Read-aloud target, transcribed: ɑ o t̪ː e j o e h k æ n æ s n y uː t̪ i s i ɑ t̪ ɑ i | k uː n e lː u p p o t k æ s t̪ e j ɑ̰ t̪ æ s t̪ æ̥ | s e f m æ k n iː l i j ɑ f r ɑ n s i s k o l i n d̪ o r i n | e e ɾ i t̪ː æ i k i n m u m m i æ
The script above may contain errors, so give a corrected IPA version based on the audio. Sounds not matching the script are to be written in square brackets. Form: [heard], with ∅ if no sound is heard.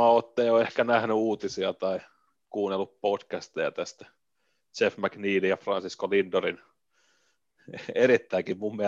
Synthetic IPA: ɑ o t̪ː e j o e h k æ n æ [h] n y uː t̪ i s i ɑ t̪ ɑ i | k uː n e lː u p p o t k æ s t̪ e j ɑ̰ t̪ æ s t̪ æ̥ | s e f m æ k n iː l i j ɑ f r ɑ n s i s k o l i n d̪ o r i n | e e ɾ i t̪ː æ i k i [m] m u m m i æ